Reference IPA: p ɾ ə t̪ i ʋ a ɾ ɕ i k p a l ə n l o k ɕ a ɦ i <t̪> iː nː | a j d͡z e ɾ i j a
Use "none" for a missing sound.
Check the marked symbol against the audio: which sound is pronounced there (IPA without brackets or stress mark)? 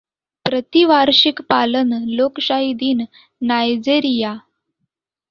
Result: d̪